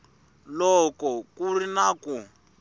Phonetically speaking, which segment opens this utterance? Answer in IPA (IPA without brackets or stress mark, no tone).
l